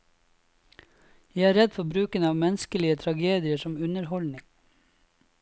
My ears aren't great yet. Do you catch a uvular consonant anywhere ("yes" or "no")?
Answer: no